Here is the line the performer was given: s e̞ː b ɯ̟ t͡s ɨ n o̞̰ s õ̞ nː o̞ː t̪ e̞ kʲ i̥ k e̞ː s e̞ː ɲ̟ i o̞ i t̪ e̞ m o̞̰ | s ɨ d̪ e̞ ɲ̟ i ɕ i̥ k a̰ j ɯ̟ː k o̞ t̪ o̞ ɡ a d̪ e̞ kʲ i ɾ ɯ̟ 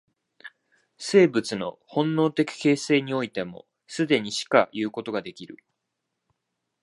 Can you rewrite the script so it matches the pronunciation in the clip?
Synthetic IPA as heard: s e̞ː b ɯ̟ t͡s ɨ n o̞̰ h õ̞ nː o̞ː t̪ e̞ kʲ i̥ k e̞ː s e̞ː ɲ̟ i o̞ i t̪ e̞ m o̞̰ | s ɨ d̪ e̞ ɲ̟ i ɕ i̥ k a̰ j ɯ̟ː k o̞ t̪ o̞ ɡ a d̪ e̞ kʲ i ɾ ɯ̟